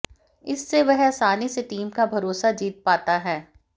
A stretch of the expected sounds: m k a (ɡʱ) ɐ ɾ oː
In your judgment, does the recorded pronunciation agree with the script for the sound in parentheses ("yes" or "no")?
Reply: no